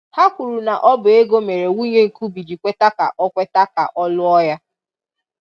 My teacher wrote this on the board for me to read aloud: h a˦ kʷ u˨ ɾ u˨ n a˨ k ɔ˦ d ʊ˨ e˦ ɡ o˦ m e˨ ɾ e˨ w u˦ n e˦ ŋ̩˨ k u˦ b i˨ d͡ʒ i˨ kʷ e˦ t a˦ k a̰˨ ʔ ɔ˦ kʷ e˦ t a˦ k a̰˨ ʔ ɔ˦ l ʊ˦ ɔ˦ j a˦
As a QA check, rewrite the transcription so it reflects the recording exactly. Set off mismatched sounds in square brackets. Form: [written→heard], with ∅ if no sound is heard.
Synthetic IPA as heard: h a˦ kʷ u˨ ɾ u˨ n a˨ [k→ʔ] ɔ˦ [d→b] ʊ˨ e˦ ɡ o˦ m e˨ ɾ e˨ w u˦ [n→ɲ] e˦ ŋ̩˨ k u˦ b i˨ d͡ʒ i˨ kʷ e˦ t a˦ k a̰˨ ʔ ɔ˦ kʷ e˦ t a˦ k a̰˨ ʔ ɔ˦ l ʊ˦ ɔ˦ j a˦